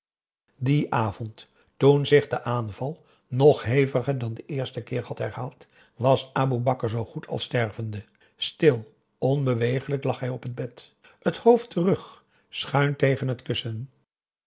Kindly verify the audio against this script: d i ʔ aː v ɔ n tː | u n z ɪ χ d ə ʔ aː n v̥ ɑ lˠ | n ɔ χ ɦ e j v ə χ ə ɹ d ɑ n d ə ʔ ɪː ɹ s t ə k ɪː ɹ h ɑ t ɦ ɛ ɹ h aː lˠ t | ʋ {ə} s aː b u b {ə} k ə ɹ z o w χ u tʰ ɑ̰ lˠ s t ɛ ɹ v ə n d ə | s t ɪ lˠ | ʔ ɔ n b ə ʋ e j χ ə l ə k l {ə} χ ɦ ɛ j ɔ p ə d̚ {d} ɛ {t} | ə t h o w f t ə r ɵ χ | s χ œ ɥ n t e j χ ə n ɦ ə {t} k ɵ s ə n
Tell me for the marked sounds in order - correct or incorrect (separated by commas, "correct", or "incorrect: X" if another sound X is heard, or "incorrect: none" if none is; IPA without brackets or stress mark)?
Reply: incorrect: ɑ, incorrect: ɑ, incorrect: ɑ, incorrect: b, correct, correct